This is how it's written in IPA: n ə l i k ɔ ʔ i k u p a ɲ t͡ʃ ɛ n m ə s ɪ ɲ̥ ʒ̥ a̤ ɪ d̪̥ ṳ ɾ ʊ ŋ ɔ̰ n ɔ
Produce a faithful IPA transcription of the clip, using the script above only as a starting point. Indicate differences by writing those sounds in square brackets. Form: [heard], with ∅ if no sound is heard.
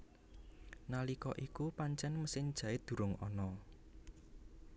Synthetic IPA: n [a] l i k ɔ ʔ i k u p a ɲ t͡ʃ ɛ n m ə s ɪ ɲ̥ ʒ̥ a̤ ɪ d̪̥ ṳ ɾ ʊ ŋ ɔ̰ n ɔ